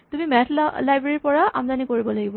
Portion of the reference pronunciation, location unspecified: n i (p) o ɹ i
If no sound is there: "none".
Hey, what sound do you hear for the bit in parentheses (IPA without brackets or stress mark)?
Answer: k